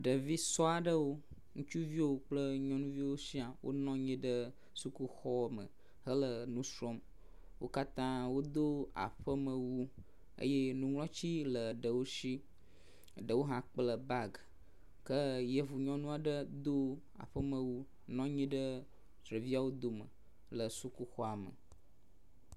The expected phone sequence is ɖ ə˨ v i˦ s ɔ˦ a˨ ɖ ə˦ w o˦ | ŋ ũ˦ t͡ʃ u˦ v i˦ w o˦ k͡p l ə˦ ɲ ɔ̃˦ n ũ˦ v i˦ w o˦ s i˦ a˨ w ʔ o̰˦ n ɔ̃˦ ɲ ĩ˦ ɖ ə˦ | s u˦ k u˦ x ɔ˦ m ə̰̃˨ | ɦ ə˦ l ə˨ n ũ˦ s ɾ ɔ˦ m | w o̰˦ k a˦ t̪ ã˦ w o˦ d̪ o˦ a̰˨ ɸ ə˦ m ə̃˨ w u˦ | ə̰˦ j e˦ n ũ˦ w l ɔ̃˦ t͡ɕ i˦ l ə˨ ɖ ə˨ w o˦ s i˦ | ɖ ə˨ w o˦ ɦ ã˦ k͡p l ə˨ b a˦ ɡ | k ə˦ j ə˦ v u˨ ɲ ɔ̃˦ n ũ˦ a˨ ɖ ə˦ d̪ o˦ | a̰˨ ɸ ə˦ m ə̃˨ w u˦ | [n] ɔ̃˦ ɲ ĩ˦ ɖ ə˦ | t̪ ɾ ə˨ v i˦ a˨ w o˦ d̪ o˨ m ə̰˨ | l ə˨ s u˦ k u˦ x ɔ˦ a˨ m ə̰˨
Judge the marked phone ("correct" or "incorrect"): correct